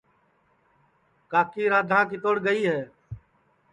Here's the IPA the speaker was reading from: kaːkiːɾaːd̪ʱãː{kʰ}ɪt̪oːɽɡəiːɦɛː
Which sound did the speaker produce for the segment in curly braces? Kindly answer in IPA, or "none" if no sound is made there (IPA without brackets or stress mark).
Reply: k